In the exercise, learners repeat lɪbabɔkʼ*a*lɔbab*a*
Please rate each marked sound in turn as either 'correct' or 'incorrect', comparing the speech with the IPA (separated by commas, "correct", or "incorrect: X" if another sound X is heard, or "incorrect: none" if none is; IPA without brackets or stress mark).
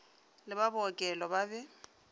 incorrect: ɛ, incorrect: ɛ